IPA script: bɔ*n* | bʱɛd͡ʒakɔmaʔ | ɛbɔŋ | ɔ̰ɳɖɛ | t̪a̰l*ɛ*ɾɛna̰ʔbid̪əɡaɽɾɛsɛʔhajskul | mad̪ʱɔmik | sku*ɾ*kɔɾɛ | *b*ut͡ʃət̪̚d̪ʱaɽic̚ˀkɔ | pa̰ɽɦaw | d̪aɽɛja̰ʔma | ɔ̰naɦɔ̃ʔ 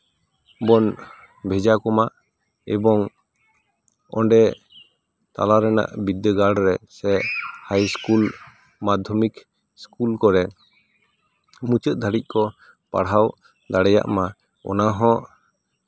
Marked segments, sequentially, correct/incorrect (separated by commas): correct, incorrect, incorrect, incorrect